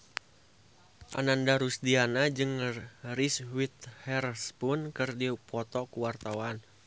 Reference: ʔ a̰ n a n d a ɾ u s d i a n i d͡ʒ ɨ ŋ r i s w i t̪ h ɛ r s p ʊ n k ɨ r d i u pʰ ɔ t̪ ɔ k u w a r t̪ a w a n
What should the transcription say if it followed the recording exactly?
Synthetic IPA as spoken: ʔ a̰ n a n d a ɾ u s d i a n a d͡ʒ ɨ ŋ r i s w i t̪ h ɛ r s p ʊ n k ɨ r d i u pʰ ɔ t̪ ɔ k u w a r t̪ a w a n